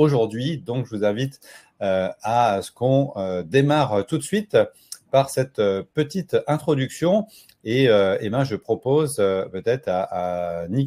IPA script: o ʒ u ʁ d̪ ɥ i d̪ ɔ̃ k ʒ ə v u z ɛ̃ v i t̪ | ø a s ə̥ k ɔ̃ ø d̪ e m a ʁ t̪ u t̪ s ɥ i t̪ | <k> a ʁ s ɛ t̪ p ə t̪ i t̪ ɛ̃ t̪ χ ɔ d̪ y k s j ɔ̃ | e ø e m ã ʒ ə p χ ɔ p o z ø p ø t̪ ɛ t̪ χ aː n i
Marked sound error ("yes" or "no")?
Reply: yes